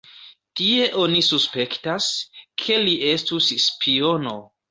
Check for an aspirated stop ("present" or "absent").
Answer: present